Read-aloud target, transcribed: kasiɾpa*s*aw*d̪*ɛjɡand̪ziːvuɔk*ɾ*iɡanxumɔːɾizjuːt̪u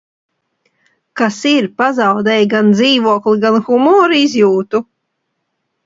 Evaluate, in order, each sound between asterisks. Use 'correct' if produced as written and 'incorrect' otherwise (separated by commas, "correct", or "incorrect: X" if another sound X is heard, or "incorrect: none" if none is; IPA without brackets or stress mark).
incorrect: z, correct, incorrect: l